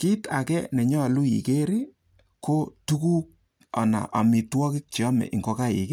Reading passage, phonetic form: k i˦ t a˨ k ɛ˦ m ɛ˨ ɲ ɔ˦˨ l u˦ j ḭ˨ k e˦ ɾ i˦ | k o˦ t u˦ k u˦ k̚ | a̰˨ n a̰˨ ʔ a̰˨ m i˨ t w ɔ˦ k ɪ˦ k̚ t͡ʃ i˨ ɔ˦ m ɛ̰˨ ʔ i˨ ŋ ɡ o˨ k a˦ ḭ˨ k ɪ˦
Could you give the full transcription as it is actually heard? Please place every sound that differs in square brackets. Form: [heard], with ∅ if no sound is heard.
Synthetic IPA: k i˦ t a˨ k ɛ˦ [n] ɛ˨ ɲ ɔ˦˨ l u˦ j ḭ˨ k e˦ ɾ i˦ | k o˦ t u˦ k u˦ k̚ | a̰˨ n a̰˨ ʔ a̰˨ m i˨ t w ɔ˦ k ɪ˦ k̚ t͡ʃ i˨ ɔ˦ m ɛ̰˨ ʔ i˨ ŋ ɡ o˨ k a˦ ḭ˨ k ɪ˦